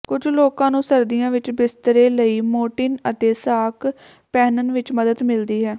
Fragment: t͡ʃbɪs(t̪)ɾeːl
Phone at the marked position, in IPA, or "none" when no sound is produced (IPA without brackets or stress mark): t̪